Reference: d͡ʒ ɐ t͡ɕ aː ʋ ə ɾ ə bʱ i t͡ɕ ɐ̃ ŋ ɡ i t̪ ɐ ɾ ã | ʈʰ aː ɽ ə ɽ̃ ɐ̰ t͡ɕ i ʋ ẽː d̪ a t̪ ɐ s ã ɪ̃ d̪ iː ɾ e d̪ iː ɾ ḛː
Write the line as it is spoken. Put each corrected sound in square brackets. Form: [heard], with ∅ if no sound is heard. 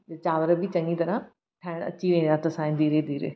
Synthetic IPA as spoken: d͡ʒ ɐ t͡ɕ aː ʋ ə ɾ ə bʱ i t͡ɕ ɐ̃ ŋ ɡ i t̪ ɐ ɾ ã | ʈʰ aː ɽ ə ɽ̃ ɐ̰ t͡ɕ i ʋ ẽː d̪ a t̪ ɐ s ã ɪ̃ d̪ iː ɾ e d̪ iː ɾ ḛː